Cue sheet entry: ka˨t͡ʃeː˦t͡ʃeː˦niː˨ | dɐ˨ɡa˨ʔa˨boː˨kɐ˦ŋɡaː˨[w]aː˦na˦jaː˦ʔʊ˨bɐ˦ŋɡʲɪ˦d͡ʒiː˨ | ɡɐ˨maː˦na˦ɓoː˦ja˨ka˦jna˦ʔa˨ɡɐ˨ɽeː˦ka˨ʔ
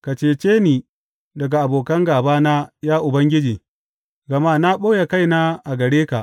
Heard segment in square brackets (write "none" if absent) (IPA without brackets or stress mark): b